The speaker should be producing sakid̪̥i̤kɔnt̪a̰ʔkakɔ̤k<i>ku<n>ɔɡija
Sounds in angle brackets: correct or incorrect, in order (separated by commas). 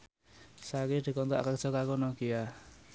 incorrect, correct